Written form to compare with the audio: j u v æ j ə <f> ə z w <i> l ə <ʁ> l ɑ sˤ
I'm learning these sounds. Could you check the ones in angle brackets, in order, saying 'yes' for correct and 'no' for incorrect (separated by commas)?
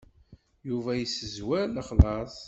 no, no, no